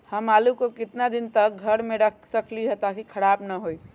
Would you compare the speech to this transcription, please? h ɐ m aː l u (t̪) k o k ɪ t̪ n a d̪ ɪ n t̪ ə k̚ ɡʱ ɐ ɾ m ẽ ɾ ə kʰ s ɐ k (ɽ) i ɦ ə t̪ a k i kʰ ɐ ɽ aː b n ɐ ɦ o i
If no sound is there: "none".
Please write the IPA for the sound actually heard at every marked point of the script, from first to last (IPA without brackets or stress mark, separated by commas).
none, l